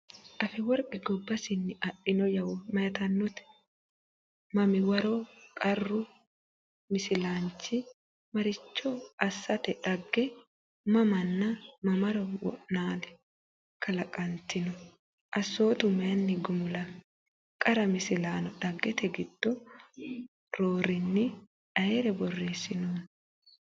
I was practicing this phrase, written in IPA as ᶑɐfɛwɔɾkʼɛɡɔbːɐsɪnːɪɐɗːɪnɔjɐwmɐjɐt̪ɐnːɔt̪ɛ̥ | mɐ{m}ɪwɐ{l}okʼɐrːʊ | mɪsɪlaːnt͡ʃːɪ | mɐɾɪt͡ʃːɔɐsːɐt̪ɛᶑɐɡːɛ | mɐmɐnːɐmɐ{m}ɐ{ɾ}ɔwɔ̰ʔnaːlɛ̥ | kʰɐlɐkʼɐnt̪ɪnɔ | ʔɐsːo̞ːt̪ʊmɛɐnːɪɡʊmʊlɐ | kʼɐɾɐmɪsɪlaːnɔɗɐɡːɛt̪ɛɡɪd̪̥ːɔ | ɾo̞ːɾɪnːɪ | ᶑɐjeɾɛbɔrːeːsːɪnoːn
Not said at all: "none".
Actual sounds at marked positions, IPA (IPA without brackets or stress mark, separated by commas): m, ɾ, m, ɾ